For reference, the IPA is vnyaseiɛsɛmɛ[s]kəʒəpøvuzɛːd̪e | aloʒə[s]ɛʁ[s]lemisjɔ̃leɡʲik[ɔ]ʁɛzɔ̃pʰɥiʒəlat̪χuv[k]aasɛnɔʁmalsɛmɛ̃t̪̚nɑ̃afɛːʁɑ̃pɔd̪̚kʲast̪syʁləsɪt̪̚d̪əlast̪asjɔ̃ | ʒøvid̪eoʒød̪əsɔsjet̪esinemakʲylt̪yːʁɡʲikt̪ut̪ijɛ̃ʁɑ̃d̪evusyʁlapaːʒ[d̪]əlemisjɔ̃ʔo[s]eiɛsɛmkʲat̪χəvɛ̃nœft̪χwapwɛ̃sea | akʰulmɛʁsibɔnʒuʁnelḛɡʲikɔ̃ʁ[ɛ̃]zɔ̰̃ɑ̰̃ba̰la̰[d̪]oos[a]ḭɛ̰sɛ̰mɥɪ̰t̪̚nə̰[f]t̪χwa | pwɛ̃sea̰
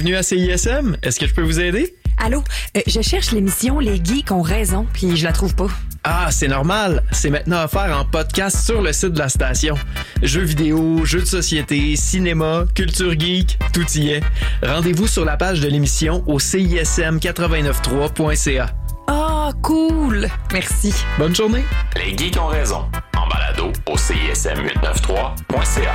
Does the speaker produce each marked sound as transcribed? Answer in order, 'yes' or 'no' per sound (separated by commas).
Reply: yes, no, no, no, no, yes, yes, no, yes, no, yes